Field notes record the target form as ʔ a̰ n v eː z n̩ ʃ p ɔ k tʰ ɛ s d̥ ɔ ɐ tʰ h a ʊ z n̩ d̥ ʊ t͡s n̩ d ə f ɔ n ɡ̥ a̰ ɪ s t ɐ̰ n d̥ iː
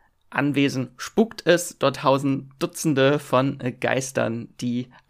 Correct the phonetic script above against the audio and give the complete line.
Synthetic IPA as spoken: ʔ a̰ n v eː z n̩ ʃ p u k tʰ ɛ s d̥ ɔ ɐ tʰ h a ʊ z n̩ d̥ ʊ t͡s n̩ d ə f ɔ n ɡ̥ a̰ ɪ s t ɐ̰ n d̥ iː